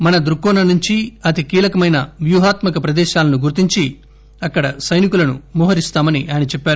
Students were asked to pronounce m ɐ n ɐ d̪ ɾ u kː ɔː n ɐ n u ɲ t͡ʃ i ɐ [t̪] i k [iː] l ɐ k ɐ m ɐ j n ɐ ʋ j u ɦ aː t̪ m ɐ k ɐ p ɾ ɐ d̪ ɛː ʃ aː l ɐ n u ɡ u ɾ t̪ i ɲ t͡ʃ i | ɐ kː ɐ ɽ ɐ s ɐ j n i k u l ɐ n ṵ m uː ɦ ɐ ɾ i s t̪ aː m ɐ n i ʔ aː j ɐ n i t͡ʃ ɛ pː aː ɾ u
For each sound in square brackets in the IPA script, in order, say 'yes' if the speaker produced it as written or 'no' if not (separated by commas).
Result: yes, yes